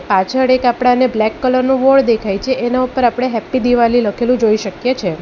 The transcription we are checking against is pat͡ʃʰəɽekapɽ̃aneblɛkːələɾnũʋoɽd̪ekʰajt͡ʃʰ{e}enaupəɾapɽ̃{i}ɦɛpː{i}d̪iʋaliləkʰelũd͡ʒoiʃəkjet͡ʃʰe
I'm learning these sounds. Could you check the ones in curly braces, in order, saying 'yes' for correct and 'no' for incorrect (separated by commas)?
yes, no, yes